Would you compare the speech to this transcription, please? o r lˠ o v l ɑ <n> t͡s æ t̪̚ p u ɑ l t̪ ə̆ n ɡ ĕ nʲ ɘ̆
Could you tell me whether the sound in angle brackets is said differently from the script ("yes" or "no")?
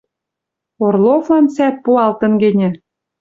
no